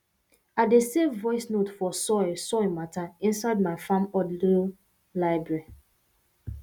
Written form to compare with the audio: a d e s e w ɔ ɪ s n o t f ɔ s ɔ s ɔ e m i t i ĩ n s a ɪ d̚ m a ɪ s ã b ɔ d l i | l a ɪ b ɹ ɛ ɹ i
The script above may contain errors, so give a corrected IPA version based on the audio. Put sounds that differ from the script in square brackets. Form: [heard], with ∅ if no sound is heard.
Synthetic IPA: a d e s e [v] ɔ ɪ s n o t f ɔ s ɔ s ɔ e m [a] t [a] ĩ n s a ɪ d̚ m a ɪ [f] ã [m] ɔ d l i | l a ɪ b ɹ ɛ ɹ i